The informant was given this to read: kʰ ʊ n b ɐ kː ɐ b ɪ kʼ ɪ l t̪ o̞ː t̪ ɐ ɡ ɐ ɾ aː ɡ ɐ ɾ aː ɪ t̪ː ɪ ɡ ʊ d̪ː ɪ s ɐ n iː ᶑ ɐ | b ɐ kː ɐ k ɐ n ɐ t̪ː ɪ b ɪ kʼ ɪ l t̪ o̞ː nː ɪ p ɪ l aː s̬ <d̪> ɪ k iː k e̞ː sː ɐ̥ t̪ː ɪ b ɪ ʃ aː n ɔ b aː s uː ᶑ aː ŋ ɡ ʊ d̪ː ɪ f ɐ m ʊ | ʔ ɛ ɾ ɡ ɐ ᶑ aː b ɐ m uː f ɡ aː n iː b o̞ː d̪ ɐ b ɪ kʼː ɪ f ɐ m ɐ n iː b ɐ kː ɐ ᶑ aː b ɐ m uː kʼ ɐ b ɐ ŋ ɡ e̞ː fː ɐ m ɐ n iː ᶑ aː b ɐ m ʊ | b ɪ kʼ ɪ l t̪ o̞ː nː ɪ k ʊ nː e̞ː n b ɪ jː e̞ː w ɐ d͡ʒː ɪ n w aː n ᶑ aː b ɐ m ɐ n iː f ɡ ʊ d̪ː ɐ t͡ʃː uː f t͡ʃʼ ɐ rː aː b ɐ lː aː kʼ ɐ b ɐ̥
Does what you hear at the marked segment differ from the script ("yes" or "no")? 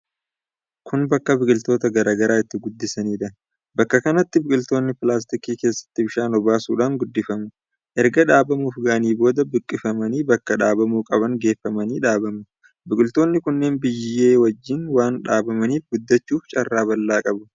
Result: yes